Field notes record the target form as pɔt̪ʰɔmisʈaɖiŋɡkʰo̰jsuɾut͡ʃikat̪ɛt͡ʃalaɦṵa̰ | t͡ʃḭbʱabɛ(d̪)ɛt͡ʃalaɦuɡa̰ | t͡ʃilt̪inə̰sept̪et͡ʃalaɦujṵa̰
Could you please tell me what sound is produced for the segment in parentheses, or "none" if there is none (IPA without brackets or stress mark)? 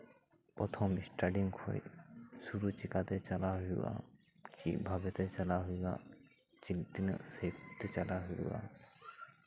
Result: t̪